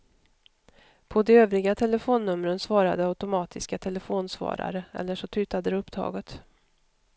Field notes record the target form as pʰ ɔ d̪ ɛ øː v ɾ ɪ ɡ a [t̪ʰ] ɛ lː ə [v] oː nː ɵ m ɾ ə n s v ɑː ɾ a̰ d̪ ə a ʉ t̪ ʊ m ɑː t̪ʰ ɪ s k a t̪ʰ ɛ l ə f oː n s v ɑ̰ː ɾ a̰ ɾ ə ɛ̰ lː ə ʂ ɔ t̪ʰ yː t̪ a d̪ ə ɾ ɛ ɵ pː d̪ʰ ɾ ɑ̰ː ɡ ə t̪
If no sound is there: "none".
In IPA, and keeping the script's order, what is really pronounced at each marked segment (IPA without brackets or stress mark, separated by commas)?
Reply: t̪ʰ, f